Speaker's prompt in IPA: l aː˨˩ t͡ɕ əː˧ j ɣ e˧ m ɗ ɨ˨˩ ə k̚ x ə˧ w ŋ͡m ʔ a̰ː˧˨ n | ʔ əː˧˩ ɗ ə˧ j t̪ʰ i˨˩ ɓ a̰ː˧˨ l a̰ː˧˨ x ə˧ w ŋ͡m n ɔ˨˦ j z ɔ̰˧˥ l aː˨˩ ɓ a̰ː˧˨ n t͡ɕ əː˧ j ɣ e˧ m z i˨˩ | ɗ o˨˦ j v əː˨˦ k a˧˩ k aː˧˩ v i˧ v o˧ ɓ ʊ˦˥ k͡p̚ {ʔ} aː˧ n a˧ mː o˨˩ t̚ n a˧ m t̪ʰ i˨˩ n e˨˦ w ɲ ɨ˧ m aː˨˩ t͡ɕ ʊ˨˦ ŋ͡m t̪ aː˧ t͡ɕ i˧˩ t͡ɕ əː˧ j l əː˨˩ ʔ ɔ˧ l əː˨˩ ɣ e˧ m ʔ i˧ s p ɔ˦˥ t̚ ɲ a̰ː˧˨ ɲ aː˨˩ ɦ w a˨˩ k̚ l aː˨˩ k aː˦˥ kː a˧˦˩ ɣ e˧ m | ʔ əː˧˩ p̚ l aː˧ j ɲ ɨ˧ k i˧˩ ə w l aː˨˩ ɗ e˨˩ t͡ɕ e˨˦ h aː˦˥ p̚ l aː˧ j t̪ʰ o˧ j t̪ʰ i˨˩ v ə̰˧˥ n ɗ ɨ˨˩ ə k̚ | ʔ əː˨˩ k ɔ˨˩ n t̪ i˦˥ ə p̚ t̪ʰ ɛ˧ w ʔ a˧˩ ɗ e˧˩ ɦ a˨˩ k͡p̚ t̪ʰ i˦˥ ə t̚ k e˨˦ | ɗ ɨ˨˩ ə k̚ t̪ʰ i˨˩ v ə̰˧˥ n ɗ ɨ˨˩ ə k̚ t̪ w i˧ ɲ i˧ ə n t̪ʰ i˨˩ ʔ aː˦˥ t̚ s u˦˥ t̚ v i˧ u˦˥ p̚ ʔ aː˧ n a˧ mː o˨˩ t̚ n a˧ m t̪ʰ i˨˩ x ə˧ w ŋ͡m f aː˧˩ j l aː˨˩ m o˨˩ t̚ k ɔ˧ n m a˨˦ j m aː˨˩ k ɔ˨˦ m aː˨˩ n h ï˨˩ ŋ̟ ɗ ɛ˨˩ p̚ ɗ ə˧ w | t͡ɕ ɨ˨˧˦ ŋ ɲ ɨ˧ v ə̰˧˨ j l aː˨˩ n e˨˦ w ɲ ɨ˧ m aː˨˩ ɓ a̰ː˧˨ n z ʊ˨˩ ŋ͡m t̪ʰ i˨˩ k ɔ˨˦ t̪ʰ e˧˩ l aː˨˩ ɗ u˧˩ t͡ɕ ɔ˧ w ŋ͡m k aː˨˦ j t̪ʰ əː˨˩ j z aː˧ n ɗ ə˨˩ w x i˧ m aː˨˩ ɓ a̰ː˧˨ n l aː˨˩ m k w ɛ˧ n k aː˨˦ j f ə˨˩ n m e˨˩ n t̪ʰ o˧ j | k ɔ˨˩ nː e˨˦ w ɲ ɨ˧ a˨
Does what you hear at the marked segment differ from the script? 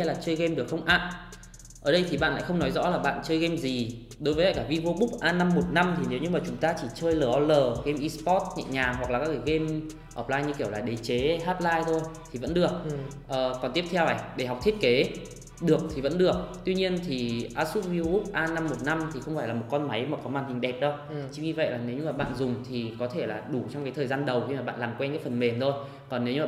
no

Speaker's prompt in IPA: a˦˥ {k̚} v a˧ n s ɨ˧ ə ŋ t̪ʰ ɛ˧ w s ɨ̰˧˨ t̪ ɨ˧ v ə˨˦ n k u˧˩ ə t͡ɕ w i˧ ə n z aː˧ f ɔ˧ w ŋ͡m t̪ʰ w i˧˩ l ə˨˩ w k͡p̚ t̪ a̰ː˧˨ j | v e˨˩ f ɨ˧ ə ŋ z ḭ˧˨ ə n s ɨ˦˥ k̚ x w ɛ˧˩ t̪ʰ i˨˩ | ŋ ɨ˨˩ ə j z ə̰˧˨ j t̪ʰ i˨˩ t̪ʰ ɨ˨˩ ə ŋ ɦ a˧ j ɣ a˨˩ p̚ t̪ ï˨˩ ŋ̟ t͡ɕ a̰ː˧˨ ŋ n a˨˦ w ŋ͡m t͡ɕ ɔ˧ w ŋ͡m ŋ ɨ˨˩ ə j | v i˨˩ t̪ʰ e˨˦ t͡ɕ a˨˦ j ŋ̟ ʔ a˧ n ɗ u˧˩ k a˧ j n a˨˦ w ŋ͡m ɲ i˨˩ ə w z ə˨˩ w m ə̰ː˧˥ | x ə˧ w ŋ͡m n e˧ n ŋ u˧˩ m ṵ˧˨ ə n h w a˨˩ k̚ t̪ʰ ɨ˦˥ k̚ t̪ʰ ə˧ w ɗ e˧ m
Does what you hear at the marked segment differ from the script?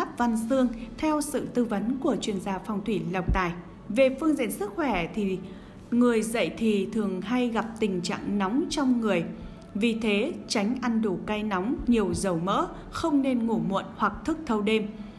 yes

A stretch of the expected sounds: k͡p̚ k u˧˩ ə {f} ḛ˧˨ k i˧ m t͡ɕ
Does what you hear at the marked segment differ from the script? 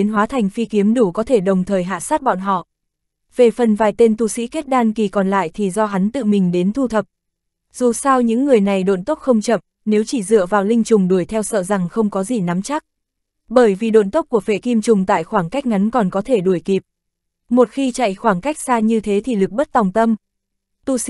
no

